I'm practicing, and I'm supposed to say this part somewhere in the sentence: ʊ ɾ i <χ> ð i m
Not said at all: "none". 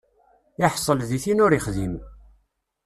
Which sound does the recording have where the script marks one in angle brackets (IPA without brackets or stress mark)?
χ